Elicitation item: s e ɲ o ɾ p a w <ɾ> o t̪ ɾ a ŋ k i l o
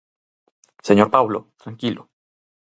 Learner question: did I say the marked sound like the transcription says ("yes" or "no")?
no